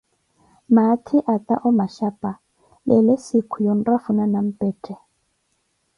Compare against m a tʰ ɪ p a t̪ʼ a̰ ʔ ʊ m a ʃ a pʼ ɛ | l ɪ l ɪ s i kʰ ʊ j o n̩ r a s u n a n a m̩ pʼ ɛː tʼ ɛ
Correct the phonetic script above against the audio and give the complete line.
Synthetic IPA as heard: m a tʰ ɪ ʔ a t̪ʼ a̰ ʔ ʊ m a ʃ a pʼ a | l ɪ l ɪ s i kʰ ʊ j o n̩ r a f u n a n a m̩ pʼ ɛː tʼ ɛ